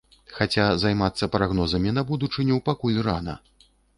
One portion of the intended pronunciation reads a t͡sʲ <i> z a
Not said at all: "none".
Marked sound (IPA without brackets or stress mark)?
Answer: a